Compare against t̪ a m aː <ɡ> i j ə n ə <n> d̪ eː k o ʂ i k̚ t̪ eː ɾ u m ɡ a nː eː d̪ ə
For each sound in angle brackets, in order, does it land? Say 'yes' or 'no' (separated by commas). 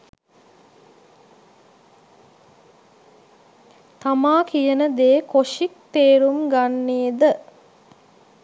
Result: no, no